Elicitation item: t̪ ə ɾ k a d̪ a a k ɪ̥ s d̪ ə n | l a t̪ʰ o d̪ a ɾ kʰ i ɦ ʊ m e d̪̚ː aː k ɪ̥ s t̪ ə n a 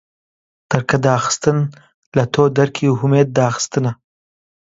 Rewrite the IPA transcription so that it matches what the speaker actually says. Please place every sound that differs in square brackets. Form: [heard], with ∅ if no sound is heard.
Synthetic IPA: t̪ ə ɾ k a d̪ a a [x] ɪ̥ s [t̪] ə n | l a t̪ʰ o d̪ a ɾ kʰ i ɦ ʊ m e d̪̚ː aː [x] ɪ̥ s t̪ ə n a

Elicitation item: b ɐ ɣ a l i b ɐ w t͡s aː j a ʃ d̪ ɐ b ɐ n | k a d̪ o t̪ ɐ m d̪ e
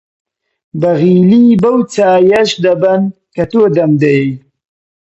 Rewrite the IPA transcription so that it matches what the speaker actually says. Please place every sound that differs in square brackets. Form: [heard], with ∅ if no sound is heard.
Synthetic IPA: b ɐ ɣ [i] l i b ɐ w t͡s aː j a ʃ d̪ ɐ b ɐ n | k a [t̪] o [d̪] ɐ m d̪ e

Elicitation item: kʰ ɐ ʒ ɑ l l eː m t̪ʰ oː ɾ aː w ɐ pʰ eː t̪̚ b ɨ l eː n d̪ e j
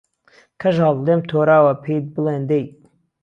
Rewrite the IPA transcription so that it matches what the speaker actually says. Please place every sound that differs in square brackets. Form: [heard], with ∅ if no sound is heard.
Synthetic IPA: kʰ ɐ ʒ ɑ l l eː m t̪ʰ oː ɾ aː w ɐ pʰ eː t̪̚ b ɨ l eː n d̪ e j

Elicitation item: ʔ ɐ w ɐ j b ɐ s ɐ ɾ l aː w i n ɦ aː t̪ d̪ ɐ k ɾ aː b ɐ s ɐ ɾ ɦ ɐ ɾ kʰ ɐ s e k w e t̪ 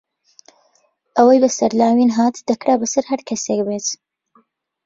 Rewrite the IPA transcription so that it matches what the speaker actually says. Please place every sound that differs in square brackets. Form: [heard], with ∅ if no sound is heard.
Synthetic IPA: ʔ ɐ w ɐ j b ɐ s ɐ ɾ l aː w i n ɦ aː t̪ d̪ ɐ k ɾ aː b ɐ s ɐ ɾ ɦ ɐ ɾ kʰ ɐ s e k [b] e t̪

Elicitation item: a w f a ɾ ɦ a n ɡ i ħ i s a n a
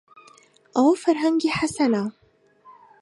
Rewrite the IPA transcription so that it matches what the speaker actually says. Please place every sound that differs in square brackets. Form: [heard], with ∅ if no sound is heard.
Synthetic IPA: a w f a ɾ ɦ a [ŋ] ɡ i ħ [a] s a n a

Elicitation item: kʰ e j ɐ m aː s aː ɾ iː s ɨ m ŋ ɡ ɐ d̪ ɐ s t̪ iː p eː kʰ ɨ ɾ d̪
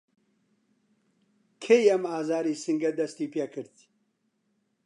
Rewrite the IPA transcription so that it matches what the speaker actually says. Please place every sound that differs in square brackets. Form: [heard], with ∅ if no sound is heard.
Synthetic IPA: kʰ e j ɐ m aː [z] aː ɾ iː s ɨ [∅] ŋ ɡ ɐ d̪ ɐ s t̪ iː p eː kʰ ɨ ɾ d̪

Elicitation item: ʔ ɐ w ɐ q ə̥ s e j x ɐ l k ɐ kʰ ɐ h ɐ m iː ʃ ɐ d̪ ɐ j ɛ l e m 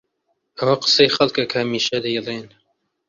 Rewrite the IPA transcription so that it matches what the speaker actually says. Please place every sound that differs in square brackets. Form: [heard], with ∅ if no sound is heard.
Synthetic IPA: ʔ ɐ w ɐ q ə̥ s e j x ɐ l k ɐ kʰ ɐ h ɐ m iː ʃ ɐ d̪ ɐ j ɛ l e [n]

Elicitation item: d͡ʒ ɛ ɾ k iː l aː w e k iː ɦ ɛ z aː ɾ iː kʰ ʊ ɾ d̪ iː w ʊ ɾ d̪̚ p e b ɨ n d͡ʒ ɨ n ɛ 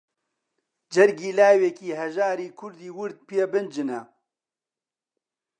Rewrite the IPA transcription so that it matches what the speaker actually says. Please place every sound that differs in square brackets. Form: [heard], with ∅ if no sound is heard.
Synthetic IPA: d͡ʒ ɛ ɾ [ɡ] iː l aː w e k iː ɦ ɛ [ʒ] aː ɾ iː kʰ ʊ ɾ d̪ iː w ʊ ɾ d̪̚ p e b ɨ n d͡ʒ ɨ n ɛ

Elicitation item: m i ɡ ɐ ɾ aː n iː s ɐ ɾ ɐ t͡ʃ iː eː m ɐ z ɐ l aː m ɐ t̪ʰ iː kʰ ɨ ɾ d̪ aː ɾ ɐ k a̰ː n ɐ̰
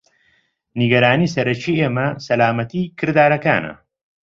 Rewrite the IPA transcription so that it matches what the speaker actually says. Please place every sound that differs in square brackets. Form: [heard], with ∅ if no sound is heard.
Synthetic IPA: [n] i ɡ ɐ ɾ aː n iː s ɐ ɾ ɐ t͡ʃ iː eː m ɐ [s] ɐ l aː m ɐ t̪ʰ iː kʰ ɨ ɾ d̪ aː ɾ ɐ k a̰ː n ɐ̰

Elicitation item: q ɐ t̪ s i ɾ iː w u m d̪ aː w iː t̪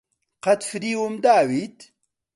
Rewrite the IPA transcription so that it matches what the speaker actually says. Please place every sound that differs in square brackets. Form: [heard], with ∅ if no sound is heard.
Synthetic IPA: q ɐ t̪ [f] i ɾ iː w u m d̪ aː w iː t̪

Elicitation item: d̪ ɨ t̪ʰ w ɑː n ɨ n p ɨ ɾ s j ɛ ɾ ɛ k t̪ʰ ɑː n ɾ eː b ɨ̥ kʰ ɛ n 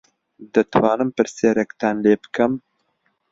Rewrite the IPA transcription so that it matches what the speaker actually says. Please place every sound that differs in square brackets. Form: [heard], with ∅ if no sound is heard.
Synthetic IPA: d̪ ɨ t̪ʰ w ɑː n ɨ [m] p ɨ ɾ s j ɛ ɾ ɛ k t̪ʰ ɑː n [l] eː b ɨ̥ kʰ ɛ [m]

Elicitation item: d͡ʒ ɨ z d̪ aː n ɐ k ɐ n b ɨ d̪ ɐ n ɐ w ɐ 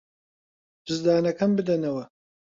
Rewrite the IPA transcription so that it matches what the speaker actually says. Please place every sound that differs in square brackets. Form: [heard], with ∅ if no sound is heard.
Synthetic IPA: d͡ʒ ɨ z d̪ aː n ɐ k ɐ [m] b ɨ d̪ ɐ n ɐ w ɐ

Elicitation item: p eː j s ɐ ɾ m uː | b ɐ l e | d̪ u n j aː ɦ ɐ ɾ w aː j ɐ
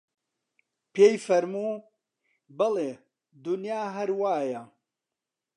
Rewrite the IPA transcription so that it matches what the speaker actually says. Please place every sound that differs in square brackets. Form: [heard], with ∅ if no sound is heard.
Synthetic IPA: p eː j [f] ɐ ɾ m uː | b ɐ l e | d̪ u n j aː ɦ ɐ ɾ w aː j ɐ

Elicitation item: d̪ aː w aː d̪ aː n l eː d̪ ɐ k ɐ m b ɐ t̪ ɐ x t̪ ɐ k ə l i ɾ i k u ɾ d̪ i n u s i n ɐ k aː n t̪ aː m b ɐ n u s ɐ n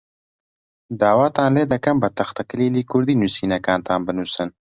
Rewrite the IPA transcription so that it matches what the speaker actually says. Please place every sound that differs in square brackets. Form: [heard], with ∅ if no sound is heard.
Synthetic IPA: d̪ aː w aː [t̪] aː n l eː d̪ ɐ k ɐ m b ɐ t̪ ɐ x t̪ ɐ k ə l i [l] i k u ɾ d̪ i n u s i n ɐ k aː n t̪ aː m b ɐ n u s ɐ n

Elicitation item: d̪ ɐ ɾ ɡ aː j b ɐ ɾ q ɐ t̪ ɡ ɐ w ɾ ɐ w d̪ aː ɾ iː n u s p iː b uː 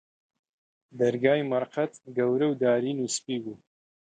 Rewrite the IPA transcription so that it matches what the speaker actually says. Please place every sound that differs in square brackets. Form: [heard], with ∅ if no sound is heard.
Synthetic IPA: d̪ ɐ ɾ ɡ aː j [m] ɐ ɾ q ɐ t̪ ɡ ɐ w ɾ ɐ w d̪ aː ɾ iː n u s p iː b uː

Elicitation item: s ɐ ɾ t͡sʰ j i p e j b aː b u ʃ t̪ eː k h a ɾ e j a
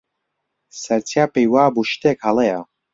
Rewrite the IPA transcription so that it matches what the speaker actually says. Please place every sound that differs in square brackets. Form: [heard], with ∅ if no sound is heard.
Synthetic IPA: s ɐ ɾ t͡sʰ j [a] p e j [w] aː b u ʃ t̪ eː k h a [l] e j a

